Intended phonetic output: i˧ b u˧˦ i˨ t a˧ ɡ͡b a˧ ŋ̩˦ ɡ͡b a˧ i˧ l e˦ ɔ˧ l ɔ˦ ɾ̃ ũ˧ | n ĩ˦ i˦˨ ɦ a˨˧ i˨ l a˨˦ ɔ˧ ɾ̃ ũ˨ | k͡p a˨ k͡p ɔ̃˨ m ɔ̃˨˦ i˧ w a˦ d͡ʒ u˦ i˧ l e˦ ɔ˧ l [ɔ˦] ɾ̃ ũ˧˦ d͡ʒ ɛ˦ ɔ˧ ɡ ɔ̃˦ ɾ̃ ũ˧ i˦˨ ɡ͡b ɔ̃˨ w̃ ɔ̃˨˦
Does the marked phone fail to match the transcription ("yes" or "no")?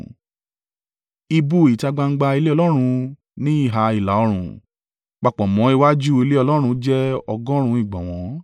no